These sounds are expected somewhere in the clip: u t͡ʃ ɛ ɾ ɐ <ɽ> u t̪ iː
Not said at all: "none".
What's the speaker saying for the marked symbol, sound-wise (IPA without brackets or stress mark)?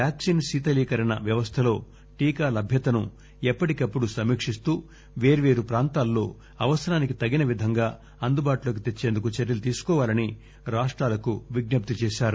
l